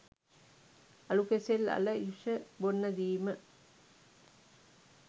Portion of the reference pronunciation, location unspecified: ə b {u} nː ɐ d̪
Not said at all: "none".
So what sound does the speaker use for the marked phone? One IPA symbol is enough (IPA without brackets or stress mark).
o